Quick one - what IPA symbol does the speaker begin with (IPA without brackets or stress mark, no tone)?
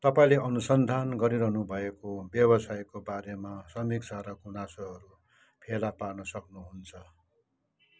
t̪